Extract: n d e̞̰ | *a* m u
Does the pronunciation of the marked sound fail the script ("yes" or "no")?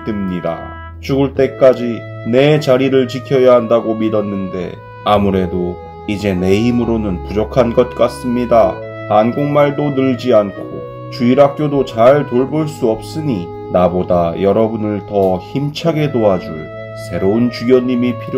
no